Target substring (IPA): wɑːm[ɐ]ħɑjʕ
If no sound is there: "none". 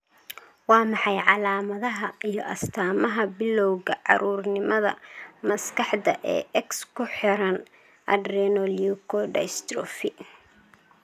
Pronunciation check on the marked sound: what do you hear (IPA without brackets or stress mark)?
ɑ